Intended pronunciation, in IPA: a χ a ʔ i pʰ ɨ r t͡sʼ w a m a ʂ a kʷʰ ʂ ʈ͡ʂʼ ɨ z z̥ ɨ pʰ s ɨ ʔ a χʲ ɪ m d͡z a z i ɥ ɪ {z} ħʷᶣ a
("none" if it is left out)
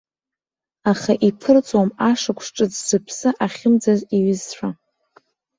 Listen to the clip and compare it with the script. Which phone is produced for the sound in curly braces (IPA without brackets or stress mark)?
z